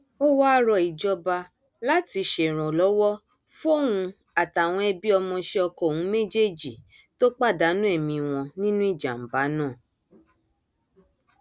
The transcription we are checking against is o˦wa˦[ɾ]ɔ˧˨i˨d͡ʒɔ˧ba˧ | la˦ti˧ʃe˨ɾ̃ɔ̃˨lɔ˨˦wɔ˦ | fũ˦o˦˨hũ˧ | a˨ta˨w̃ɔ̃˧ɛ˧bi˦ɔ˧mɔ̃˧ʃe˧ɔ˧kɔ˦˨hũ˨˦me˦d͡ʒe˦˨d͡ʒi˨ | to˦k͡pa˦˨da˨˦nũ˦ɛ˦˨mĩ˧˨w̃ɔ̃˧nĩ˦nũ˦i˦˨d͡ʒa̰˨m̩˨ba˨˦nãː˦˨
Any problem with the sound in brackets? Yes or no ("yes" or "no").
no